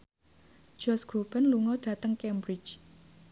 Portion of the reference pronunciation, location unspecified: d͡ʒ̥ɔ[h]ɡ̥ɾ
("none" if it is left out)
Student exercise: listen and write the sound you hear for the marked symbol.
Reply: s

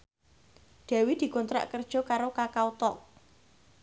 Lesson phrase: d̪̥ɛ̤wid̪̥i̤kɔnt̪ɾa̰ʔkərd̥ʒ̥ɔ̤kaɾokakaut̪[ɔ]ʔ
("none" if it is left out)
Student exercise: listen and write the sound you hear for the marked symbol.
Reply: ɔ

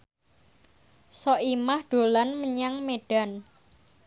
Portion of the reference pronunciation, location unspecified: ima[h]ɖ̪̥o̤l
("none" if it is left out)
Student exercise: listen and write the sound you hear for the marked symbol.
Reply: h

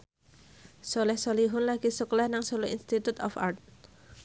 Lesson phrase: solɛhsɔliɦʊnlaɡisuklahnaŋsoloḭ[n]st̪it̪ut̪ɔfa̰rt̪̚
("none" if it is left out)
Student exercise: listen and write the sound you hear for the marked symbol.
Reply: n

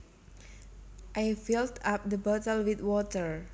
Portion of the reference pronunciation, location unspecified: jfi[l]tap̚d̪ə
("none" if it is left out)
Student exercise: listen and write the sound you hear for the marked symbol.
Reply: l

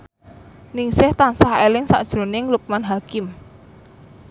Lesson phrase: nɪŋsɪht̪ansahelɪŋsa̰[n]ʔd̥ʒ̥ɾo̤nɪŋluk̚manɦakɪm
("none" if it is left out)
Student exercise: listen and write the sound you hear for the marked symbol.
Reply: none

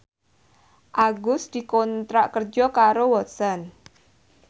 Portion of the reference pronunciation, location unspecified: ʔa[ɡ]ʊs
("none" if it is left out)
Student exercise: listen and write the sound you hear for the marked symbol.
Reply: ɡ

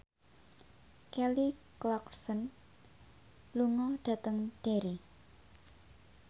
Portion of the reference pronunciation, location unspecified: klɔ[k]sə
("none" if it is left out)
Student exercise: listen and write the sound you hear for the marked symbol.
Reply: k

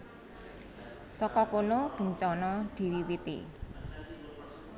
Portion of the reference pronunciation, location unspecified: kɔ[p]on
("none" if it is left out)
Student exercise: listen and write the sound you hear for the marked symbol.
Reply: k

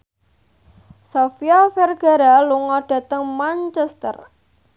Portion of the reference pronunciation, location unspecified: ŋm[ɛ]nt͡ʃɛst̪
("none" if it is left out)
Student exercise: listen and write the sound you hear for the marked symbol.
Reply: a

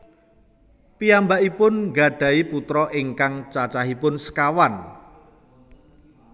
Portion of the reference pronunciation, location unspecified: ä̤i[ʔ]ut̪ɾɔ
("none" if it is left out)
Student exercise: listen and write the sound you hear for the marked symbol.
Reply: p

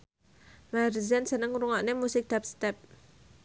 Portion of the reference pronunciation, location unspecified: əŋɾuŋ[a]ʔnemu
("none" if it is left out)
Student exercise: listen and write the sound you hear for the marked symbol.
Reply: a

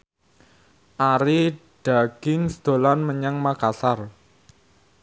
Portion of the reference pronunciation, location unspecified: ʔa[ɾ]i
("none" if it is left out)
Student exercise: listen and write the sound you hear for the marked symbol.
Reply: ɾ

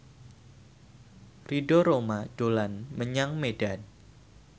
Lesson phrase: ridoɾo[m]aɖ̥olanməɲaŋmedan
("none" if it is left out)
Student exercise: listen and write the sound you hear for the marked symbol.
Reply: m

